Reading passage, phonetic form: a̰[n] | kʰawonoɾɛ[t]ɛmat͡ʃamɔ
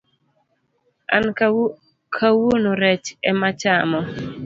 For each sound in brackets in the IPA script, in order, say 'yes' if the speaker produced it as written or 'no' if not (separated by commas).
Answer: yes, no